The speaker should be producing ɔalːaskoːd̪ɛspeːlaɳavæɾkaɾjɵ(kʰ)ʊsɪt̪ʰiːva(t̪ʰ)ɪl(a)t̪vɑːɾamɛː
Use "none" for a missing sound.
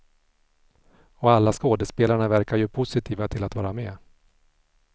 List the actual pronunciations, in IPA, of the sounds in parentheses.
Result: pʰ, t̪ʰ, a

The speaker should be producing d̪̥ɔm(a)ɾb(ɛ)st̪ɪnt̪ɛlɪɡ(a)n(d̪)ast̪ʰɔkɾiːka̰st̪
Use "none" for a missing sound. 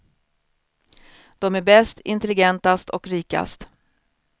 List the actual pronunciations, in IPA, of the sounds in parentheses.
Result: æ, ɛ, ɛ, t̪

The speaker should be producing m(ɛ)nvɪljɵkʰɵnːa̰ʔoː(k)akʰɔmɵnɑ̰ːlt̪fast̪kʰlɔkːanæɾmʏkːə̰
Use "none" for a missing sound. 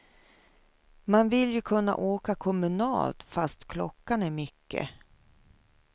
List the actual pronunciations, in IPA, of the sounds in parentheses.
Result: a, k

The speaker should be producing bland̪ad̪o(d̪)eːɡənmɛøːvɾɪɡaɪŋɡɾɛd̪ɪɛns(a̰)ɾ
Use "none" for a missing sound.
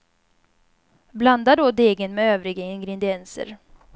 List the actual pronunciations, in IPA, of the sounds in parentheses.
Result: d̪, ə̰

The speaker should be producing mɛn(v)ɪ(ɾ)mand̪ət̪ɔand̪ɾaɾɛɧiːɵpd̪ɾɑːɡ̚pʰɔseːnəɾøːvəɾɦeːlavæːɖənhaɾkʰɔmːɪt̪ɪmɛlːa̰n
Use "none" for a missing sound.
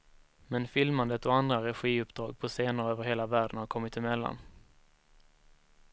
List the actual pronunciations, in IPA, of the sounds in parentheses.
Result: f, l

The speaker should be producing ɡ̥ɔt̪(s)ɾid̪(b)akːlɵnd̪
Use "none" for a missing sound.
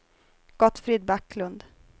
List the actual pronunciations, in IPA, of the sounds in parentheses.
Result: f, b

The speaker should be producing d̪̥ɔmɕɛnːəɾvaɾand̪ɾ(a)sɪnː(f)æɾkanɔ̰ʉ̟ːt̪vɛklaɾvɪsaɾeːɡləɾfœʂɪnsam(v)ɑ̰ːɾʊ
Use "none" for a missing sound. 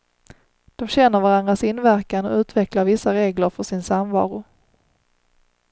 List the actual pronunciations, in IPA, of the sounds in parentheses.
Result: a, v, v

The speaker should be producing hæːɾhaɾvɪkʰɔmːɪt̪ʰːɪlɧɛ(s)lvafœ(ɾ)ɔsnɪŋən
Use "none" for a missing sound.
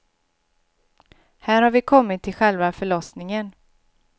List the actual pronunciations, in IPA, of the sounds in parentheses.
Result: none, ɭ

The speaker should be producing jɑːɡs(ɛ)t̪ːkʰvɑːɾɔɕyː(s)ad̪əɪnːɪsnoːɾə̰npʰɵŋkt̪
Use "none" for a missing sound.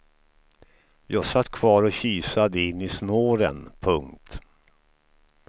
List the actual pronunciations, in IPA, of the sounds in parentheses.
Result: a, s

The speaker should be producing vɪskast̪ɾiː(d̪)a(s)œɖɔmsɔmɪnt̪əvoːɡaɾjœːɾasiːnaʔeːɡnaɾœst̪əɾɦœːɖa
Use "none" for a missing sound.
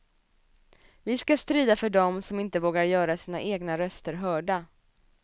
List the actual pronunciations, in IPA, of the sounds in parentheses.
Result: d̪, f

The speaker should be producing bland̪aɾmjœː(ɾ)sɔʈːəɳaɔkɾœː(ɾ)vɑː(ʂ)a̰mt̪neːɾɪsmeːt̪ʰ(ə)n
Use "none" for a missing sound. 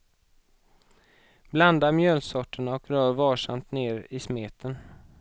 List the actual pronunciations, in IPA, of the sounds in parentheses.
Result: l, ɾ, ʂ, ə

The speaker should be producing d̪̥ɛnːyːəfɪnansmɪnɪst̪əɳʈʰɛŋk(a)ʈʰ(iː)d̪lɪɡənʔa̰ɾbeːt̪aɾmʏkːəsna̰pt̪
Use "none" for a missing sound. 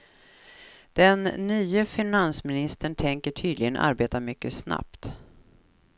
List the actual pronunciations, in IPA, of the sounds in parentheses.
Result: ə, yː

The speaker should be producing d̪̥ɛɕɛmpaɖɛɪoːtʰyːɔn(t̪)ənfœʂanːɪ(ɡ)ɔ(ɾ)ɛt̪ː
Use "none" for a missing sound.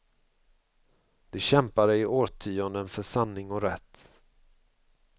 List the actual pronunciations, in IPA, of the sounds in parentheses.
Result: d̪, ŋ, ɾ

